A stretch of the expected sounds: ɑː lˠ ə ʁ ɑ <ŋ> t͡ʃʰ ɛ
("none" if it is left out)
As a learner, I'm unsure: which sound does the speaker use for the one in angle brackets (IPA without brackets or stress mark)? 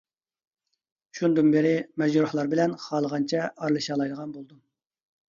n